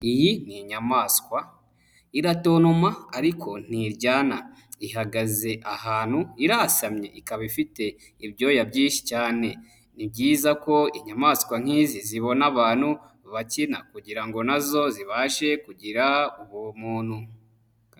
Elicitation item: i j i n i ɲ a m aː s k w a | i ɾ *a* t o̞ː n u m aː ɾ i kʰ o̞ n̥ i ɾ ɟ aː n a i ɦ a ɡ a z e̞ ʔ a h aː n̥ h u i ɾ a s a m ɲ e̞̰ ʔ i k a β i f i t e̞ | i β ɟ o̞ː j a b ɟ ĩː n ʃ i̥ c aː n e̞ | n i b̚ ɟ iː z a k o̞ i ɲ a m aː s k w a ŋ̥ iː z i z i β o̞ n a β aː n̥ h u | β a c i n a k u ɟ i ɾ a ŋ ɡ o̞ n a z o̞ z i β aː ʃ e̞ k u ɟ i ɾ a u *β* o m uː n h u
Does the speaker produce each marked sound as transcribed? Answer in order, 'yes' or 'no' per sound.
yes, yes

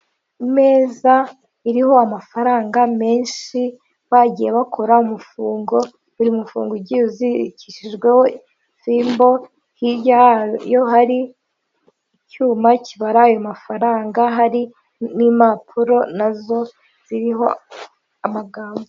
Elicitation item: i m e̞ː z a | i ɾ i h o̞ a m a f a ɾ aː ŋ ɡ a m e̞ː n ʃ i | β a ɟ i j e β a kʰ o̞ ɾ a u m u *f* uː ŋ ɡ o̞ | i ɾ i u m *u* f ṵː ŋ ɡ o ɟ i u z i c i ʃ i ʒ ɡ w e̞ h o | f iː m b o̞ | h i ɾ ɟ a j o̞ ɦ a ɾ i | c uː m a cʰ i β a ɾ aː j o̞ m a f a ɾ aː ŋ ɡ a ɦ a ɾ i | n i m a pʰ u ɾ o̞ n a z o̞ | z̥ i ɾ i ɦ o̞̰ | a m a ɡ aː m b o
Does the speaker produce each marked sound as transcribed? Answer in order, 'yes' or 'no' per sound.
yes, yes

